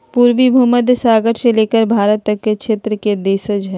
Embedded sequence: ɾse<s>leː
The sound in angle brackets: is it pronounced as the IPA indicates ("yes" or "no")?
no